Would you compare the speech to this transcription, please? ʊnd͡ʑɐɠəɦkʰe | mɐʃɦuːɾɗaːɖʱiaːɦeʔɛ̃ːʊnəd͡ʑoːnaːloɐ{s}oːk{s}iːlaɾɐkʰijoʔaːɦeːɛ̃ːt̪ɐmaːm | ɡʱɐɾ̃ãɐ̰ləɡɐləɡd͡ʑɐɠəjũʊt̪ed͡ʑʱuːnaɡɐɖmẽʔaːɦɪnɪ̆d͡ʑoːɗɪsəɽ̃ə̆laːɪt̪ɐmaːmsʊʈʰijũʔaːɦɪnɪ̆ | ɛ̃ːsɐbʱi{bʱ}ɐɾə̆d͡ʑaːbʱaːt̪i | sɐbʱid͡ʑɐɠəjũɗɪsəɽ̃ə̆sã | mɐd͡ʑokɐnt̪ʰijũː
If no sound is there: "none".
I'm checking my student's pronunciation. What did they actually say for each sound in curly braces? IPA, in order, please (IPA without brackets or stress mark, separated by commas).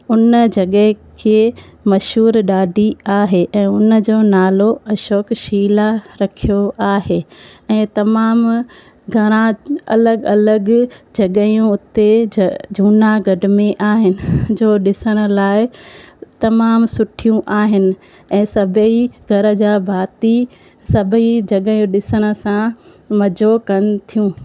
ʃ, ʃ, ɡʱ